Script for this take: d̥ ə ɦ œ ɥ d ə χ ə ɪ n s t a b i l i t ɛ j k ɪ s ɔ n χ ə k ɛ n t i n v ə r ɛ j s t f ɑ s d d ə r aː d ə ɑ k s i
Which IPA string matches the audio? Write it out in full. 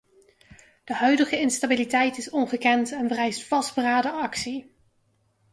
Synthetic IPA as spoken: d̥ ə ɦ œ ɥ d ə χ ə ɪ n s t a b i l i t ɛ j t ɪ s ɔ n χ ə k ɛ n t ɛ n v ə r ɛ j s t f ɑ s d b ə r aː d ə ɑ k s i